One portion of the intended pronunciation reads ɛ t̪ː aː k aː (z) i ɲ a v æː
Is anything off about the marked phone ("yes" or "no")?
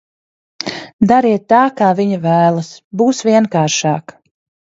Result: yes